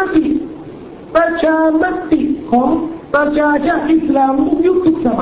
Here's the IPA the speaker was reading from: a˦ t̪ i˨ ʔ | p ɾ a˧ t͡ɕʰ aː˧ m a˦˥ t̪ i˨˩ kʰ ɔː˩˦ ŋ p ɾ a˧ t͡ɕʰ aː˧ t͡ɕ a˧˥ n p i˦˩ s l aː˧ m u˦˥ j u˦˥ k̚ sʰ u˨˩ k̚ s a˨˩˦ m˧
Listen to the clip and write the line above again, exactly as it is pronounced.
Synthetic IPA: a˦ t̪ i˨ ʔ | p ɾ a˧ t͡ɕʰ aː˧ m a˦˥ t̪ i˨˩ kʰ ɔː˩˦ ŋ p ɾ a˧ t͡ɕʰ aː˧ t͡ɕ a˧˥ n ʔ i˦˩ s l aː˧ m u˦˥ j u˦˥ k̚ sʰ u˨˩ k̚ s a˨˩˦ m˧